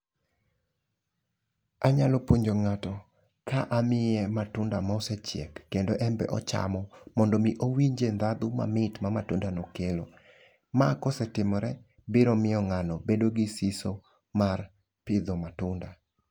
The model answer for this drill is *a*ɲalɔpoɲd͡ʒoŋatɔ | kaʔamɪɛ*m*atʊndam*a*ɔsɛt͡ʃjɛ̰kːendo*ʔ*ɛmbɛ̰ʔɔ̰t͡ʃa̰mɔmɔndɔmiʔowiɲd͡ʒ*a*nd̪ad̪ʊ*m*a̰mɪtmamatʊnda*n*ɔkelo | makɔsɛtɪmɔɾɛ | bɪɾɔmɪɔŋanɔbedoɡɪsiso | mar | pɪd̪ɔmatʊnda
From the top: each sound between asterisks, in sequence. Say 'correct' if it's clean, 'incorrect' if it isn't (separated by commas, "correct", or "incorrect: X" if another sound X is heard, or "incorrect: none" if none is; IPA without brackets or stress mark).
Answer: correct, correct, correct, correct, incorrect: e, correct, correct